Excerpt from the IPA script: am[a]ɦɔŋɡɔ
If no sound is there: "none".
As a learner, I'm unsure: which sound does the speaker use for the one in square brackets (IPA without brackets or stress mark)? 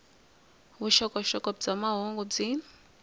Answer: a